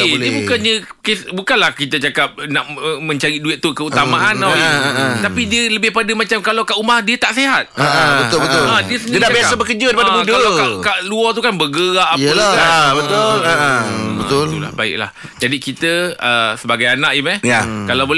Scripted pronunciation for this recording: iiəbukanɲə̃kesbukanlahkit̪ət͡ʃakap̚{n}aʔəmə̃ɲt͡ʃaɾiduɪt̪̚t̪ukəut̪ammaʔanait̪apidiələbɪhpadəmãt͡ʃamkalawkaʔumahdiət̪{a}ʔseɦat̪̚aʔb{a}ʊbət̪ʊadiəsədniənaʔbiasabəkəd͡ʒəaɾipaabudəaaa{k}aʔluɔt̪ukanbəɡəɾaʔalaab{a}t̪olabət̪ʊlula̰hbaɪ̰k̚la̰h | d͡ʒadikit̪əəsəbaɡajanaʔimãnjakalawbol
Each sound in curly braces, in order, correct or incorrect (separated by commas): correct, correct, incorrect, correct, incorrect